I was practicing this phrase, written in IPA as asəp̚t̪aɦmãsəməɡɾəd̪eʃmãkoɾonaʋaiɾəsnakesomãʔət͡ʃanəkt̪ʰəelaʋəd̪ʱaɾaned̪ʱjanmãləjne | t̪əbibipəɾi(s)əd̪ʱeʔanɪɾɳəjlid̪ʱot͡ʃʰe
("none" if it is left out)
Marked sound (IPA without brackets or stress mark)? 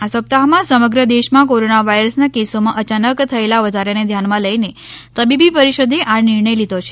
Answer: ʃ